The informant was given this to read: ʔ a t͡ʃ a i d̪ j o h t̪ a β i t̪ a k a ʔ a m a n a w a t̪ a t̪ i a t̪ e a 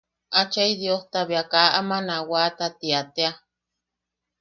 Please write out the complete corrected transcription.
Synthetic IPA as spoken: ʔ a t͡ʃ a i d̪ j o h t̪ a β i a k a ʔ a m a n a w a t̪ a t̪ i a t̪ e a